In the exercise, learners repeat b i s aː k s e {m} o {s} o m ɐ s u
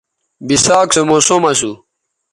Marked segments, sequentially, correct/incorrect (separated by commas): correct, correct